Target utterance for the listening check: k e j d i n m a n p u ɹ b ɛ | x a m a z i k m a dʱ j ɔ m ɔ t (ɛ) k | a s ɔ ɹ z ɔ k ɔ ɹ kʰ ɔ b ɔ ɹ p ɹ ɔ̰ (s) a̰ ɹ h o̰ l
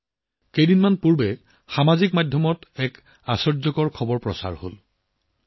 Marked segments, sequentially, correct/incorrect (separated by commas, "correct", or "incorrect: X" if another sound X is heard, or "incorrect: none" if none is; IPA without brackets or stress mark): correct, correct